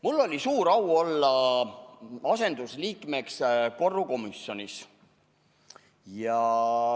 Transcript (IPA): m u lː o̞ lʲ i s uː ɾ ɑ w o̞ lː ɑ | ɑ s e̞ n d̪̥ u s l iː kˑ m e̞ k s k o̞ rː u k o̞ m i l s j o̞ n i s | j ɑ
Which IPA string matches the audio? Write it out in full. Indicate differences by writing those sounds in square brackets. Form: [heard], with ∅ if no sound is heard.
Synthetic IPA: m u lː o̞ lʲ i s uː ɾ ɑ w o̞ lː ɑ | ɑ s e̞ n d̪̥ u s l iː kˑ m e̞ k s k o̞ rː u k o̞ m i [∅] s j o̞ n i s | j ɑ